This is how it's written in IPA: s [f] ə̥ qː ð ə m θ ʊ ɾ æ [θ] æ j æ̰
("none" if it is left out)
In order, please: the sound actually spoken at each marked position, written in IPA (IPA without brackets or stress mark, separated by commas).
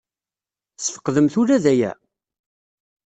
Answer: f, ð